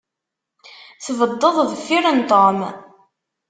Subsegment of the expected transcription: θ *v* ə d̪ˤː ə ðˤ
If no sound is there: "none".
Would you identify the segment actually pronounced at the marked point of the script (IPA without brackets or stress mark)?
v